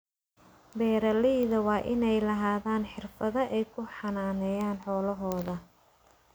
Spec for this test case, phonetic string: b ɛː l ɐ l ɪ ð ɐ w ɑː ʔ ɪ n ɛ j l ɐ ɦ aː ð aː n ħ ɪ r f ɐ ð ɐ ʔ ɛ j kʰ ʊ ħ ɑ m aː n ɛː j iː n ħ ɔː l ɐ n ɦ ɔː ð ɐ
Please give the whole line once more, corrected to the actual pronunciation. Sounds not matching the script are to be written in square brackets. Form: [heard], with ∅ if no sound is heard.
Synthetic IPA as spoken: b ɛː [ɾ] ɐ l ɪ ð ɐ w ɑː ʔ ɪ n ɛ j l ɐ ɦ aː ð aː n ħ ɪ r f ɐ ð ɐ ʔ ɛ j kʰ ʊ ħ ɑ [n] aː n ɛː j [aː] n ħ ɔː l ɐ [∅] ɦ ɔː ð ɐ